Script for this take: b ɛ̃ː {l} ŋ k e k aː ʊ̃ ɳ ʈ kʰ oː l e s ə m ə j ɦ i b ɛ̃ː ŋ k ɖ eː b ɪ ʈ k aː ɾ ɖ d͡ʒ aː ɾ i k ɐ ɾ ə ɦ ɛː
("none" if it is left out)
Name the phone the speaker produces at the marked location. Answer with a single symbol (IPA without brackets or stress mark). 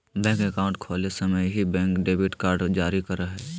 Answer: none